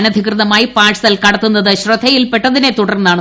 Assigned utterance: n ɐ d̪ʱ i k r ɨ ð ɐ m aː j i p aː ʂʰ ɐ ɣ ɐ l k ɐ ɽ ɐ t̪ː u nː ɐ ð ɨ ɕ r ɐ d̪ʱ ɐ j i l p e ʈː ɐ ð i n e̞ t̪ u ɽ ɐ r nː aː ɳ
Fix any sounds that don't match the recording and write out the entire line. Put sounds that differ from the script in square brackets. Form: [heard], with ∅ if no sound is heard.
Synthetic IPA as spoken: n ɐ d̪ʱ i k r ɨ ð ɐ m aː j i p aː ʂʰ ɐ [ð] ɐ l k ɐ ɽ ɐ t̪ː u nː ɐ ð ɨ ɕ r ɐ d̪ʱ ɐ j i l p e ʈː ɐ ð i n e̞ t̪ u ɽ ɐ r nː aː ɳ